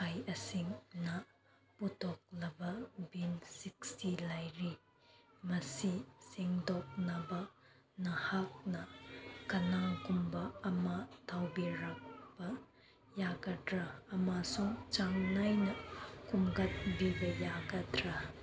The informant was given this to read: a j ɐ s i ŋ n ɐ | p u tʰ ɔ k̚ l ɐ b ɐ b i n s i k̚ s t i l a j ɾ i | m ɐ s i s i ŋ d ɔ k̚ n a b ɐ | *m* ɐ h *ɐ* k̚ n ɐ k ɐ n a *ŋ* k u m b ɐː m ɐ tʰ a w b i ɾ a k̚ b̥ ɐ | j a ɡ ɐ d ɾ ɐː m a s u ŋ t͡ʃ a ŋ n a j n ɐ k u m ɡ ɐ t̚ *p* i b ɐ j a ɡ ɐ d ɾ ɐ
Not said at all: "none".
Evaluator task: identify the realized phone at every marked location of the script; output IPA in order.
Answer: n, a, ŋ, b

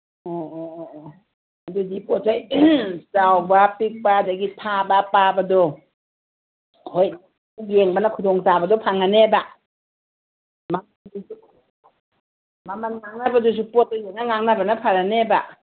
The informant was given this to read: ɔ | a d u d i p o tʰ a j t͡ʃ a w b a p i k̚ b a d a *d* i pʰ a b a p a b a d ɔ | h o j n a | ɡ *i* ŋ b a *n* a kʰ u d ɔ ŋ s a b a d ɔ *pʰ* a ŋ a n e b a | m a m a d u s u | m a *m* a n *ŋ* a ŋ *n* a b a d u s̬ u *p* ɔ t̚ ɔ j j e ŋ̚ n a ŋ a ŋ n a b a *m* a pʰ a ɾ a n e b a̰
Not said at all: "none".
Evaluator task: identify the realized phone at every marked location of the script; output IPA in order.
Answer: ɡ, e, n, pʰ, m, ŋ, n, p, n

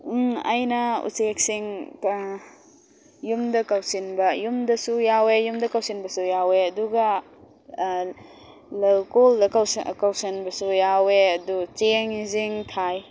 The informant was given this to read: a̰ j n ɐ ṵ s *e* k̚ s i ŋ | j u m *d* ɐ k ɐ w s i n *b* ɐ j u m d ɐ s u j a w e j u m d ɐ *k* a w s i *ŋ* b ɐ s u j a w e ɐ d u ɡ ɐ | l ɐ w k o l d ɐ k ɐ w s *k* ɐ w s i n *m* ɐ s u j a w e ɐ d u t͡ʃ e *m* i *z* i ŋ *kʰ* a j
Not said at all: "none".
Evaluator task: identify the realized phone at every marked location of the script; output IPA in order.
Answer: e, d, b, k, n, k, b, ŋ, z, tʰ

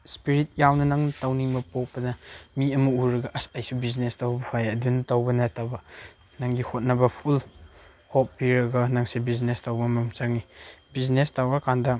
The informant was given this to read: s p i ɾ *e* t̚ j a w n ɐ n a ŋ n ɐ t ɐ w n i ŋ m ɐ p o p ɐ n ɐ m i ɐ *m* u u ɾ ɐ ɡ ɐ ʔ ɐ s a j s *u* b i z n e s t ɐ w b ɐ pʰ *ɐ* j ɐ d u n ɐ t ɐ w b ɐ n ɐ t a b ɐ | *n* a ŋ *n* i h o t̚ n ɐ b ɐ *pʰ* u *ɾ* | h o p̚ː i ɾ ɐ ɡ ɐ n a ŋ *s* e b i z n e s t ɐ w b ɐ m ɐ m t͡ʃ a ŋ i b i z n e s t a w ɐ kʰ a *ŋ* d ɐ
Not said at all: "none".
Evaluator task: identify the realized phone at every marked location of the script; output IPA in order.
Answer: i, m, u, a, n, d, pʰ, l, s, n

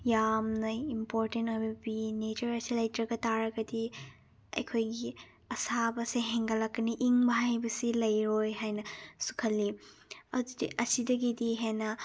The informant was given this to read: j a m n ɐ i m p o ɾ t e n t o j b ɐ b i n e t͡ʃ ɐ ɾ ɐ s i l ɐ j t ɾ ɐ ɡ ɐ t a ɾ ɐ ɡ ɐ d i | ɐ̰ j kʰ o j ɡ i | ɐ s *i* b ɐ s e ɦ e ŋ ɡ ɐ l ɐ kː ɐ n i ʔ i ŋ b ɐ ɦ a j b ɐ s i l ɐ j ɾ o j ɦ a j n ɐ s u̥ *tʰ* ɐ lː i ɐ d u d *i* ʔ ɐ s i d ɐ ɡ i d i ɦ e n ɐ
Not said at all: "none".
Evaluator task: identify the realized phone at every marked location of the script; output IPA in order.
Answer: a, kʰ, i

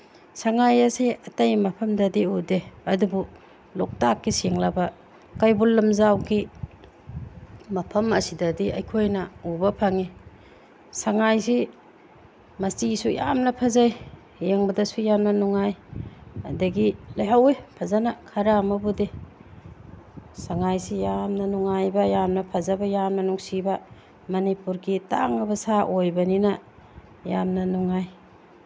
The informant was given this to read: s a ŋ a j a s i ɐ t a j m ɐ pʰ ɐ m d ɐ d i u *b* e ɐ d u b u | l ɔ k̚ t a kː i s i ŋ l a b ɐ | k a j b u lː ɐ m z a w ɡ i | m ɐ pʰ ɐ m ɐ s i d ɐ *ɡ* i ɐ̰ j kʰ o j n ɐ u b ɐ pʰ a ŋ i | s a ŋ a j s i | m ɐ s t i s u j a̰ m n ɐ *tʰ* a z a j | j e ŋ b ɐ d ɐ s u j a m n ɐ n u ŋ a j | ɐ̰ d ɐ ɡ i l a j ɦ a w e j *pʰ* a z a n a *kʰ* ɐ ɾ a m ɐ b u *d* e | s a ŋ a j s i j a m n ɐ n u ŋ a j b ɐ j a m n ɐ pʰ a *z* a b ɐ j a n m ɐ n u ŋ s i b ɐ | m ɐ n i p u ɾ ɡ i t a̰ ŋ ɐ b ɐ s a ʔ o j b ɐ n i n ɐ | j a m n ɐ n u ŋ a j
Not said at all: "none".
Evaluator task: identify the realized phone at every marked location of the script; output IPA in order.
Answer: d, d, pʰ, pʰ, kʰ, d, z

